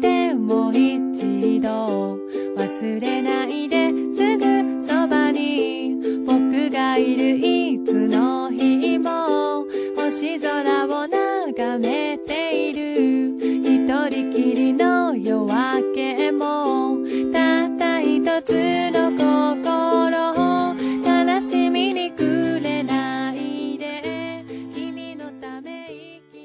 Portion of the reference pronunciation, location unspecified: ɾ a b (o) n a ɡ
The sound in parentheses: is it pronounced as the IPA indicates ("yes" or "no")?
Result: yes